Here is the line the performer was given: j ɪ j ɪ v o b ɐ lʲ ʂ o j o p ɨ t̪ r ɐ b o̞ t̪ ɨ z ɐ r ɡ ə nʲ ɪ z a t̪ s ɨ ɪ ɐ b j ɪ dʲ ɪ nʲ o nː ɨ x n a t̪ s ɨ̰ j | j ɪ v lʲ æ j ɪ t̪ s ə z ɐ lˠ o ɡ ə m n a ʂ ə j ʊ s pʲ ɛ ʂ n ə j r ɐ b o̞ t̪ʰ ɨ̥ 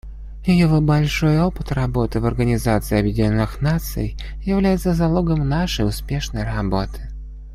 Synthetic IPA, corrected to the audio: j ɪ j ɪ v o b ɐ lʲ ʂ o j o p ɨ t̪ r ɐ b o̞ t̪ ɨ v ɐ r ɡ ə nʲ ɪ z a t̪ s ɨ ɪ ɐ b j ɪ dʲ ɪ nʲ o nː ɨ x n a t̪ s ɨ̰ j | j ɪ v lʲ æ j ɪ t̪ s ə z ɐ lˠ o ɡ ə m n a ʂ ə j ʊ s pʲ e ʂ n ə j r ɐ b o̞ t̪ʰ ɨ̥